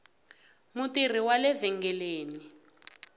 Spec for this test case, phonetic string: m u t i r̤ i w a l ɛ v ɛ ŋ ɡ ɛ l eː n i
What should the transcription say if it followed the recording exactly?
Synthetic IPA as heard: m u t i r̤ i w a l ɛ v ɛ ŋ ɡ ɛ l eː n i